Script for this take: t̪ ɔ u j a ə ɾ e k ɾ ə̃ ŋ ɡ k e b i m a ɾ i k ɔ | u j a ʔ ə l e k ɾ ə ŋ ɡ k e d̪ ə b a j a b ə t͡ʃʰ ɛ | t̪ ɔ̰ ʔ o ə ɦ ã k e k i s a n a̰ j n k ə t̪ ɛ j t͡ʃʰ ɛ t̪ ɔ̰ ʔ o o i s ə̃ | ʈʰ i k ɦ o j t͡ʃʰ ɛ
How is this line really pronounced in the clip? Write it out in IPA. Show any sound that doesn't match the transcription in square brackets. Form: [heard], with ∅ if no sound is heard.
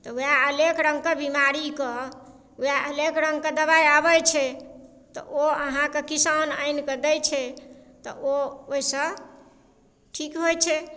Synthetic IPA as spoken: t̪ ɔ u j a ə [l] e k ɾ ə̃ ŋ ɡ k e b i m a ɾ i k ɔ | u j a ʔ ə l e k ɾ ə ŋ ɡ k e d̪ ə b a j a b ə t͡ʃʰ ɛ | t̪ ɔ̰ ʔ o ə ɦ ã k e k i s a n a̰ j n k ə [d̪] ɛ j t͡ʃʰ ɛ t̪ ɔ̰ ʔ o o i s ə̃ | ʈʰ i k ɦ o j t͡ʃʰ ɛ